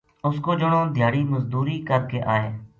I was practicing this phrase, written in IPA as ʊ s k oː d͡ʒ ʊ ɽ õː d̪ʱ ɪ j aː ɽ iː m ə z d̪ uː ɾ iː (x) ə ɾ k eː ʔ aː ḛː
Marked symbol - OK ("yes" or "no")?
no